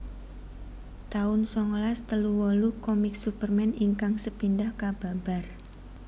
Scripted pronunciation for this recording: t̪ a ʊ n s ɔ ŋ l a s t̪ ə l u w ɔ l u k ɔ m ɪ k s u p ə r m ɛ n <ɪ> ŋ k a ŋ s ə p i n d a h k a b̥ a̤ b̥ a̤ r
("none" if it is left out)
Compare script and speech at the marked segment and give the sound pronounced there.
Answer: i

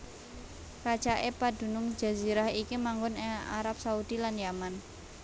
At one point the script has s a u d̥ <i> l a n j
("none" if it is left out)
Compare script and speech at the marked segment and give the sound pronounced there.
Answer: i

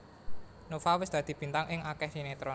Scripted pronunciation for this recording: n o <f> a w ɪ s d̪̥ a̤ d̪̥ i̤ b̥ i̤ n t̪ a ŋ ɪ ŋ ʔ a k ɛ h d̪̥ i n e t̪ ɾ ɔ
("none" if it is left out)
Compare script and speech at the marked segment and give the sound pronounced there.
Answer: f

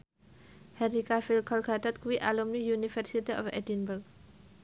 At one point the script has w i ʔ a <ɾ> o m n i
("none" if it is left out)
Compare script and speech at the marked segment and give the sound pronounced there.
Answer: l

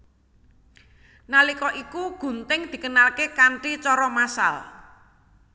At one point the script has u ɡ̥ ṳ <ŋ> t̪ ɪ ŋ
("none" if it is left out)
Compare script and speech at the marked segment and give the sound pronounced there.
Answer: n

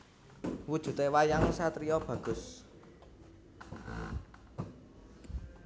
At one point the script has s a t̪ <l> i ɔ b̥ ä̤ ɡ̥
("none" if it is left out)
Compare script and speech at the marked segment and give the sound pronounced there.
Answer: ɾ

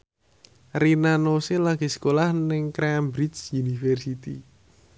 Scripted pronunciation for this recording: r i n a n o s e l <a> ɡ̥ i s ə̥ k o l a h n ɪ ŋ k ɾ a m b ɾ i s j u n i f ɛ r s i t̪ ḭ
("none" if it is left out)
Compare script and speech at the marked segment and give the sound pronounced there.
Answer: a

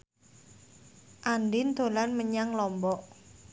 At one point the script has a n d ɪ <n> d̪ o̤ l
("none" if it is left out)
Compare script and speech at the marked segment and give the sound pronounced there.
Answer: n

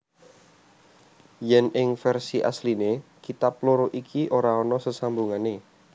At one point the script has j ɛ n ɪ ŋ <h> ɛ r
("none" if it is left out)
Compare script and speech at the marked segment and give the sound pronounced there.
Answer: f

